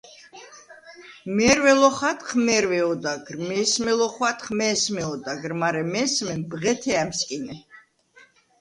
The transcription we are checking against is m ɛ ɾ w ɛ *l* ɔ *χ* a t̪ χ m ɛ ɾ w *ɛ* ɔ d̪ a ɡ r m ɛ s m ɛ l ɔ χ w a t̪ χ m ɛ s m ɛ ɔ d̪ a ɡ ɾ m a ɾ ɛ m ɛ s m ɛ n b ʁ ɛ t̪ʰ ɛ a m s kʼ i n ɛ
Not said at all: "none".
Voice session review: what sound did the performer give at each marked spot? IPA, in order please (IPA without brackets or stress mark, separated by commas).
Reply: l, χ, ɛ